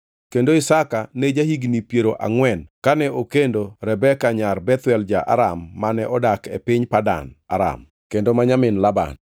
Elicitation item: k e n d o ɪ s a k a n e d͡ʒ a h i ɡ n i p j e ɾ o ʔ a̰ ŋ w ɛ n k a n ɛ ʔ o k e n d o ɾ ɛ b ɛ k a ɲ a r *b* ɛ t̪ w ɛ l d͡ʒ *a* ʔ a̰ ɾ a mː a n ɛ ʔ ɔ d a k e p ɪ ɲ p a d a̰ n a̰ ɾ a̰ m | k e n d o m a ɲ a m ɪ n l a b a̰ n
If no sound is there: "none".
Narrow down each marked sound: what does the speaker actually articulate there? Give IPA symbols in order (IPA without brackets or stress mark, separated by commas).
b, a